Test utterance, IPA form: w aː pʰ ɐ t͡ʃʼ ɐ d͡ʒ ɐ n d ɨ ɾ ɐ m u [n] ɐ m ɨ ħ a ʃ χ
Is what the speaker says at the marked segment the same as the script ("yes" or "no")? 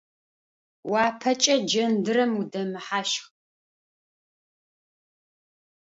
no